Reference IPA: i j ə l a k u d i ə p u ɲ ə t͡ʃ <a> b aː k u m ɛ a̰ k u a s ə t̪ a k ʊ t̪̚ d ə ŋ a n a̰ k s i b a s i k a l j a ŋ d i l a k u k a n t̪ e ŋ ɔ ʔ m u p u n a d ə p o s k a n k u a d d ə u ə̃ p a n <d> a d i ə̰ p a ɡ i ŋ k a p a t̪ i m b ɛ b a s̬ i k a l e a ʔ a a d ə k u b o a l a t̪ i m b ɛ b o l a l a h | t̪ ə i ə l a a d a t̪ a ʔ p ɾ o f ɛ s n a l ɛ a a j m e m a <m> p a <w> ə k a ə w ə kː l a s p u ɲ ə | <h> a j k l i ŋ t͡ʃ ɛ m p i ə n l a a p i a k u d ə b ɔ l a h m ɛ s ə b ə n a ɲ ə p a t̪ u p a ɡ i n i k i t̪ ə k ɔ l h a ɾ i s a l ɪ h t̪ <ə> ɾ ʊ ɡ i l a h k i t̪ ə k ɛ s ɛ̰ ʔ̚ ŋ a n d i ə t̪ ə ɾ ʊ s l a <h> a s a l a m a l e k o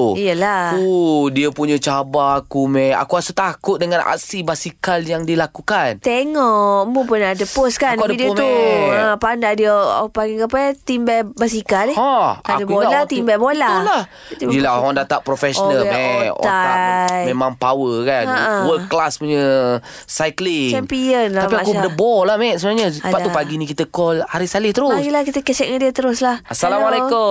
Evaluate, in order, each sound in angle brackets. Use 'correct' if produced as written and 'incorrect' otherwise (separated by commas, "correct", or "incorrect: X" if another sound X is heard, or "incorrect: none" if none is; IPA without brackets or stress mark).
correct, correct, incorrect: ŋ, correct, incorrect: s, correct, correct